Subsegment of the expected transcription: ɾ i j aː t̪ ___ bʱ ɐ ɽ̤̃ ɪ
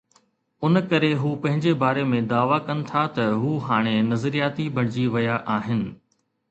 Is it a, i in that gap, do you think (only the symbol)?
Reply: i